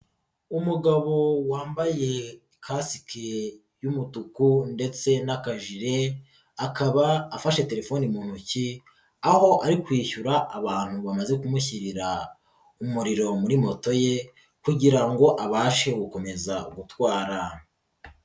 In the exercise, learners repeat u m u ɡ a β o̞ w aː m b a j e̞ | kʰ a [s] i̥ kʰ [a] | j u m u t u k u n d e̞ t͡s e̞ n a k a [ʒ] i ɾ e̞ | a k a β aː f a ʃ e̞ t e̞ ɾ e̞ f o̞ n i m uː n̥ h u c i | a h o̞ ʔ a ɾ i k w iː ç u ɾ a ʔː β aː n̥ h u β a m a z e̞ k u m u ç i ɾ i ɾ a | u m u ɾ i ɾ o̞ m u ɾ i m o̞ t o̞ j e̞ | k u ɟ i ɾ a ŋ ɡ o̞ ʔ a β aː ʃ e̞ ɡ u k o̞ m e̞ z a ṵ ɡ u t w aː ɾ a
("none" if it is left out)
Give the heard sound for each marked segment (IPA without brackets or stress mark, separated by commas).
s, e, ʒ